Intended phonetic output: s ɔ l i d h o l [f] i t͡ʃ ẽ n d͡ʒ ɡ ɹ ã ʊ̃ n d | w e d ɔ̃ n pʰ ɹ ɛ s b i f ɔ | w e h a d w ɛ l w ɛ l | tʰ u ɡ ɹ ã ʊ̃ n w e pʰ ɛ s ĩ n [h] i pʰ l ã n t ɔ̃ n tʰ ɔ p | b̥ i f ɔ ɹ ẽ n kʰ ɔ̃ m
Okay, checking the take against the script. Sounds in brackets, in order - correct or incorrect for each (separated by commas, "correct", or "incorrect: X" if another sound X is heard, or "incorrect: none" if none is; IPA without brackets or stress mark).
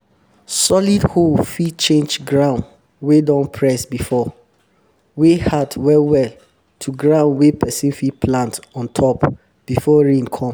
correct, incorrect: f